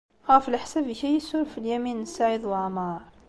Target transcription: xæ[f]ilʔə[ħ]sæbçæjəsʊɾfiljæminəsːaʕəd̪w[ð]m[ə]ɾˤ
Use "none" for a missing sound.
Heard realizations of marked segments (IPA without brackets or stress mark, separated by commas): f, ħ, ʕ, ɑ